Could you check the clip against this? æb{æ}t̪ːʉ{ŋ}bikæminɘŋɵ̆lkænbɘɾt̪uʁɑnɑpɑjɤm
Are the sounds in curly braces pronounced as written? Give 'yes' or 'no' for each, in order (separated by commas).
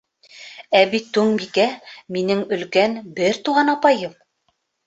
no, yes